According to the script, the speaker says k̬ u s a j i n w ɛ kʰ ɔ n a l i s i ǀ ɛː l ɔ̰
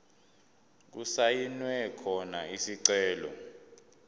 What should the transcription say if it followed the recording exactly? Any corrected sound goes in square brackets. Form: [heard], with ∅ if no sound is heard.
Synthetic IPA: k̬ u s a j i n w ɛ kʰ ɔ n a [∅] i s i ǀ ɛː l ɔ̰

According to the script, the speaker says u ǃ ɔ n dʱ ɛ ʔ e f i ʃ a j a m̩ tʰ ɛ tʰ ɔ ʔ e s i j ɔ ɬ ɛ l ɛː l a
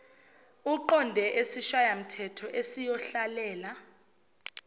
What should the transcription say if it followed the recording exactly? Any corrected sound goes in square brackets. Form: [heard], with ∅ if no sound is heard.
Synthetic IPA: u ǃ ɔ n dʱ ɛ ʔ e [s] i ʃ a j a m̩ tʰ ɛ tʰ ɔ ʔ e s i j ɔ ɬ [a] l ɛː l a

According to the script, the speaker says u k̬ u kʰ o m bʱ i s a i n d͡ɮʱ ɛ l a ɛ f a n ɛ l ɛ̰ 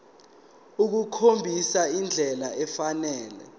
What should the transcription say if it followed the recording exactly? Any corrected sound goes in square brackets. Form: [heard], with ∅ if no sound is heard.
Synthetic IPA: u k̬ u kʰ o m bʱ i s a i n d͡ɮʱ ɛ l a ɛ f a n [ɛː] l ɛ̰

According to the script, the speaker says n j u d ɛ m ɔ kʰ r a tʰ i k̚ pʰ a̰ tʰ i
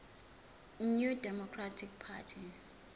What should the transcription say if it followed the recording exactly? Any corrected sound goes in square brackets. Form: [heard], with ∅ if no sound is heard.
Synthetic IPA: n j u d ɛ m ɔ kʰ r a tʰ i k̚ pʰ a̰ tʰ i

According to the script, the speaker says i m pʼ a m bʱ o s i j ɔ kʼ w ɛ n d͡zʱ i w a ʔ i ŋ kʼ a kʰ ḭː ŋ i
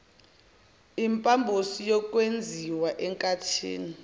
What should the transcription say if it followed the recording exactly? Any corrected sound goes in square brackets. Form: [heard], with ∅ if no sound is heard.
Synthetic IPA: i m pʼ a m bʱ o s i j ɔ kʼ w [e] n d͡zʱ i w a ʔ [ɛ] ŋ kʼ a [tʰ] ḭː [n] i

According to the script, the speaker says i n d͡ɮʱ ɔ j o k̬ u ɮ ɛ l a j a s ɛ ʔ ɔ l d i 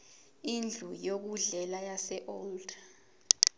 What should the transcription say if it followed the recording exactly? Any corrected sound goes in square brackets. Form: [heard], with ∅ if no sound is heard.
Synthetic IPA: i n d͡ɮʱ [u] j o k̬ u ɮ ɛ l a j a s ɛ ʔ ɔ l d [a]

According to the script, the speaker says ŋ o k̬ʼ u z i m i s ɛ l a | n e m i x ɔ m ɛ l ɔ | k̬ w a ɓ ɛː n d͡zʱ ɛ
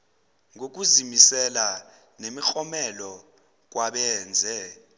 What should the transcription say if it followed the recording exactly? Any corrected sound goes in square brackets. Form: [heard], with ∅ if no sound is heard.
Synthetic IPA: ŋ o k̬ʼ u z i m i s ɛ l a | n e m i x ɔ m ɛ l ɔ | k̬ w a ɓ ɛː n d͡zʱ ɛ

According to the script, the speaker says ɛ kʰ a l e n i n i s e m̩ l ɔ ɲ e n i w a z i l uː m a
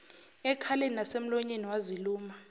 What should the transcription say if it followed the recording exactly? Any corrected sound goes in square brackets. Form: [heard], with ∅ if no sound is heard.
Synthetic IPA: ɛ kʰ a l e n i n [a] s e m̩ l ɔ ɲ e n i w a z i l uː m a

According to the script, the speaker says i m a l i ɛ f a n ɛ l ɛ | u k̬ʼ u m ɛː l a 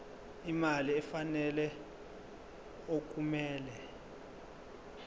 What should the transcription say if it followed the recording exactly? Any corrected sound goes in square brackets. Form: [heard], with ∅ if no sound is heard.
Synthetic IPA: i m a l i ɛ f a n ɛ l ɛ | [o] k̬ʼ u m ɛː l [ɛ]

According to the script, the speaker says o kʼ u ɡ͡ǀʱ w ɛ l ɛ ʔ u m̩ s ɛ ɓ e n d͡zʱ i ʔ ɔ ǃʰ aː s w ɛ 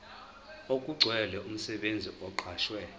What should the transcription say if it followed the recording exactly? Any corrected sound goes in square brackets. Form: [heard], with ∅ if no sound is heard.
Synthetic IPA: o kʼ u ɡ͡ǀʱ w ɛ l ɛ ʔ u m̩ s ɛ ɓ e n d͡zʱ i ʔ ɔ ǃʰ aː [ʃ] w ɛ

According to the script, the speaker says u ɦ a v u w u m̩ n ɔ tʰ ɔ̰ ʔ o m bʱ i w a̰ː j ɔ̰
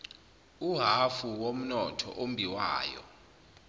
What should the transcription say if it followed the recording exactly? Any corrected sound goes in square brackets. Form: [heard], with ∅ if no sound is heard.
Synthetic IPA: u ɦ a [f] u w [o] m̩ n ɔ tʰ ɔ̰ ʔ o m bʱ i w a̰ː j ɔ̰

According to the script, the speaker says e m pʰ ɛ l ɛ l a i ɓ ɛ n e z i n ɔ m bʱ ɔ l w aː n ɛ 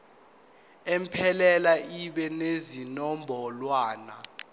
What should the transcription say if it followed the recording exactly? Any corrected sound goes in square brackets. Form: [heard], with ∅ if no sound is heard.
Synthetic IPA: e m pʰ ɛ l ɛ l a i ɓ ɛ n e z i n ɔ m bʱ ɔ l w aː n [a]

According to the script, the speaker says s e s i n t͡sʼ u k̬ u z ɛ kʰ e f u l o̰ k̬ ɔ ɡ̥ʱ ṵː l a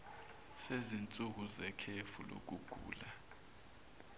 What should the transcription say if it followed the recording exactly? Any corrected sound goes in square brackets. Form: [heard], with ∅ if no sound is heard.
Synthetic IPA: s e [z] i n t͡sʼ u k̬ u z ɛ kʰ e f u l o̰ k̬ [u] ɡ̥ʱ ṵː l a

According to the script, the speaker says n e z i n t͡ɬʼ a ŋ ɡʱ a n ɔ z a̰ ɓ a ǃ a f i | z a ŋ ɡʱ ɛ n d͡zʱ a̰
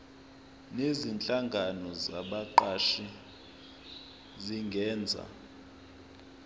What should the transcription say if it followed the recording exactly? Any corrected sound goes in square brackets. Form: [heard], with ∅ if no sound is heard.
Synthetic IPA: n e z i n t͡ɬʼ a ŋ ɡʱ a n ɔ z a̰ ɓ a ǃ a [ʃ] i | z [i] ŋ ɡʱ [ɛː] n d͡zʱ a̰

